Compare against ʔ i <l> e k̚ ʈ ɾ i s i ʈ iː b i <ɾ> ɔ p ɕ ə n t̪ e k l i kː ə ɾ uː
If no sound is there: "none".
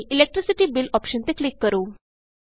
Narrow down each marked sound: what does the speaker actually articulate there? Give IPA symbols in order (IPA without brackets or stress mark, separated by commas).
l, l